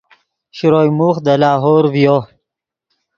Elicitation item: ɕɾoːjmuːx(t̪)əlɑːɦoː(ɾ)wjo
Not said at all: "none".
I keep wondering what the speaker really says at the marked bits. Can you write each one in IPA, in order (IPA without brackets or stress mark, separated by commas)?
d̪, ɾ